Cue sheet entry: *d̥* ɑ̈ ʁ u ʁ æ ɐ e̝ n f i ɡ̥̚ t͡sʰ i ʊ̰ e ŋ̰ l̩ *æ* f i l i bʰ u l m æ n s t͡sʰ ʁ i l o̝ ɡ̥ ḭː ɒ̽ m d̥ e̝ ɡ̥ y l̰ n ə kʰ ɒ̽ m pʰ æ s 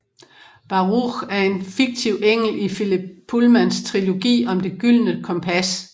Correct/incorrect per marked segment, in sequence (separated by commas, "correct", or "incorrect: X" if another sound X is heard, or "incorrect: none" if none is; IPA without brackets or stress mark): incorrect: b̥, incorrect: i